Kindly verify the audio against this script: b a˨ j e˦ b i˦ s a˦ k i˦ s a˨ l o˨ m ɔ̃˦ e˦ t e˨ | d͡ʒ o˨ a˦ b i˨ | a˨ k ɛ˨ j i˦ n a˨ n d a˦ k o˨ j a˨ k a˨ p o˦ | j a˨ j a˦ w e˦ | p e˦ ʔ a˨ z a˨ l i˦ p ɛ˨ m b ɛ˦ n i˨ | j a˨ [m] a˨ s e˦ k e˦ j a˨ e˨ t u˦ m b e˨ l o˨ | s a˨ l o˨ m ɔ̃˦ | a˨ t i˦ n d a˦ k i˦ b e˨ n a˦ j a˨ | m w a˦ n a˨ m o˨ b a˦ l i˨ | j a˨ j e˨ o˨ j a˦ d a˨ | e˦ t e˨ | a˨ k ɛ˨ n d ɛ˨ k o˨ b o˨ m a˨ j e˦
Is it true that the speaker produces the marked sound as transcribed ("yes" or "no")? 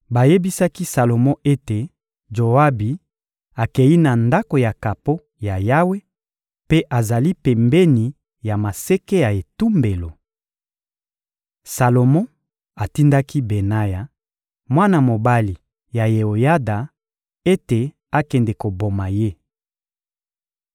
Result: yes